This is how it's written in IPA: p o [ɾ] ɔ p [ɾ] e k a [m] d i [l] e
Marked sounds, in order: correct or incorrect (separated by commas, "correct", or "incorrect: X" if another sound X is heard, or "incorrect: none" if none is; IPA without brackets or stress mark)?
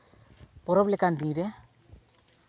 correct, incorrect: l, incorrect: n, incorrect: ɾ